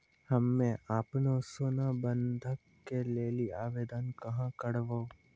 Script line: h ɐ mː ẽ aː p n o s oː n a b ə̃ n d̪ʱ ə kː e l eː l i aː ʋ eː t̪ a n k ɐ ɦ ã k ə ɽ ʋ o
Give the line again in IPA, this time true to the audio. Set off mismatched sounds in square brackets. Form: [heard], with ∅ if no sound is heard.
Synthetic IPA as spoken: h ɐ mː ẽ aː p n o s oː n a b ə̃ n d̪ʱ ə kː e l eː l i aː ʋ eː [d̪] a n k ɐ ɦ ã k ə ɽ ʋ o